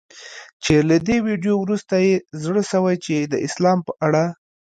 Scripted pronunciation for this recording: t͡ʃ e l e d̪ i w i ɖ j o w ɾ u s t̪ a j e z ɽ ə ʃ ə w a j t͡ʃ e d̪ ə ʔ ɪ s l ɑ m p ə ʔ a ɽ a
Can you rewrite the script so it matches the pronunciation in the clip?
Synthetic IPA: t͡ʃ e l a d̪ e w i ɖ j o w ɾ u s t̪ a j e z ɽ ə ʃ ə w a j t͡ʃ e d̪ ə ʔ ɪ s l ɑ m p ə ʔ a ɽ a